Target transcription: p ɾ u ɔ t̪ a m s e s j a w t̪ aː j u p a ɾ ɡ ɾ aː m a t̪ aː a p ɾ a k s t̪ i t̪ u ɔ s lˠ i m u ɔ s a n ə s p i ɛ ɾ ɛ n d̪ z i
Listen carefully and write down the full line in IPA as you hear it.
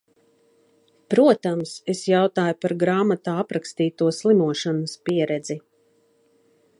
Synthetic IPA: p ɾ u ɔ t̪ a m s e s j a w t̪ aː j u p a ɾ ɡ ɾ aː m a t̪ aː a p ɾ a k s t̪ iː t̪ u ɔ s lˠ i m u ɔ ʃ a n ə s p i ɛ ɾ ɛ d̪ z i